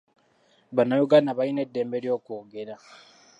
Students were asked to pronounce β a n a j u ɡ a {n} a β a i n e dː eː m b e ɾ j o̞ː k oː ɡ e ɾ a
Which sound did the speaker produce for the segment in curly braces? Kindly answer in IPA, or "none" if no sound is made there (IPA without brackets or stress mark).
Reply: n